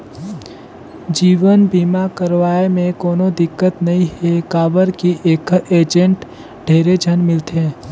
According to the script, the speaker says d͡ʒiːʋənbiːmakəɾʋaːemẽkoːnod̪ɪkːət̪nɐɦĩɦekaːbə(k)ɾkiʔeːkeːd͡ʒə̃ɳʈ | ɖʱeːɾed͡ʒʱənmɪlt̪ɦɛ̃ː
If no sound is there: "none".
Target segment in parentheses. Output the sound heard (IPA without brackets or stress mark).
none